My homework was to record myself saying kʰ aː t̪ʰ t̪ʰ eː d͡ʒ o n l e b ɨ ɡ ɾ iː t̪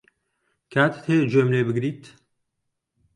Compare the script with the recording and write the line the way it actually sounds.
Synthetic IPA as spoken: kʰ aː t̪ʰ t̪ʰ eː d͡ʒ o m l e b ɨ ɡ ɾ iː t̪